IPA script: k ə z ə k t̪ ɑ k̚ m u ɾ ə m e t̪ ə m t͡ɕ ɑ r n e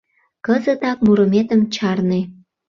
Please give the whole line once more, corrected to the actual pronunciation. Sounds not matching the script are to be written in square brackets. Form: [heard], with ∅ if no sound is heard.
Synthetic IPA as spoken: k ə z ə [∅] t̪ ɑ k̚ m u ɾ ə m e t̪ ə m t͡ɕ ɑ r n e